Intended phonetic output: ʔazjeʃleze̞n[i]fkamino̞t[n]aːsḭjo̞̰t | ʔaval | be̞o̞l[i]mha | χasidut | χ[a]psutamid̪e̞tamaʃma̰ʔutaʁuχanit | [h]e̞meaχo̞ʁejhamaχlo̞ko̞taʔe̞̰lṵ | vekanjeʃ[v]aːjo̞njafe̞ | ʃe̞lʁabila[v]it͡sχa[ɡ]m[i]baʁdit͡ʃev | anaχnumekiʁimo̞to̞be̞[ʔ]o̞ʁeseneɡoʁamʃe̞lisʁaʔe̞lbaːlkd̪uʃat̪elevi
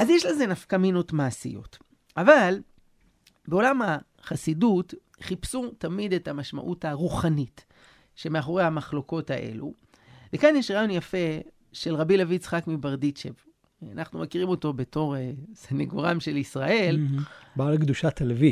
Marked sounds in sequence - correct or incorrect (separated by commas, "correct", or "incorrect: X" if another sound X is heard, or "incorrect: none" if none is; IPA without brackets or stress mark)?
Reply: incorrect: a, incorrect: m, incorrect: a, incorrect: i, incorrect: ʃ, incorrect: ʁ, correct, incorrect: k, correct, incorrect: t